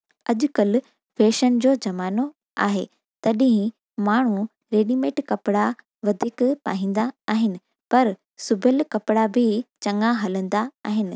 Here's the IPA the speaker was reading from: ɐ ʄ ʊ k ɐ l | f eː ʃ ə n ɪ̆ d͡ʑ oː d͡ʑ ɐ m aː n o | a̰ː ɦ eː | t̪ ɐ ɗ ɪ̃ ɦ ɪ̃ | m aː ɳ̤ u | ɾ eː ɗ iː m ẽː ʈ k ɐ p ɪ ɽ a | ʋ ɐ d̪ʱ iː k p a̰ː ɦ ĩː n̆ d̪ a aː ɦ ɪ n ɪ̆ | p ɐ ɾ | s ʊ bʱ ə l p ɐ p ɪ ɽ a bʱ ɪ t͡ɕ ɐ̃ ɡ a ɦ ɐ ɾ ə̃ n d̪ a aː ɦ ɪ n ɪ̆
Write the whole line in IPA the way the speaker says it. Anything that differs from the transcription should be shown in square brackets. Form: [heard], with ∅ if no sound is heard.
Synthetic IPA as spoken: ɐ ʄ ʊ k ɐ l | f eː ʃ ə n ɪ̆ d͡ʑ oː d͡ʑ ɐ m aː n o | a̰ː ɦ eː | t̪ ɐ ɗ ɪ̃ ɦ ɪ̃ | m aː ɳ̤ u | ɾ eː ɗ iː m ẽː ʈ k ɐ p ɪ ɽ a | ʋ ɐ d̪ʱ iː k p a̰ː ɦ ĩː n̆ d̪ a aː ɦ ɪ n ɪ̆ | p ɐ ɾ | s ʊ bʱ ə l [k] ɐ p ɪ ɽ a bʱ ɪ t͡ɕ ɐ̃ [ŋ] a ɦ ɐ [l] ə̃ n d̪ a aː ɦ ɪ n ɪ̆